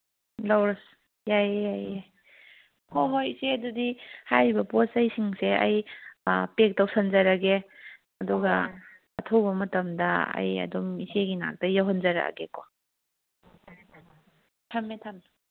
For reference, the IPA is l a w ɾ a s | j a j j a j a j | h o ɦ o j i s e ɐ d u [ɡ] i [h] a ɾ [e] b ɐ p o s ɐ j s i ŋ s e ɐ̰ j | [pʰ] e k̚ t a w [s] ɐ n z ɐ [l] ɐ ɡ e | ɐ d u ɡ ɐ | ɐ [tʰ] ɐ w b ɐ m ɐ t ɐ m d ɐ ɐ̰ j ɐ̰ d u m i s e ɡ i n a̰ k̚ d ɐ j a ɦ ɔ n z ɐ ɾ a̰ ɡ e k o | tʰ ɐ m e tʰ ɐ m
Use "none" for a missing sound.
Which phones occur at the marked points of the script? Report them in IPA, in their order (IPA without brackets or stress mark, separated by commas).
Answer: d, h, i, p, s, ɾ, tʰ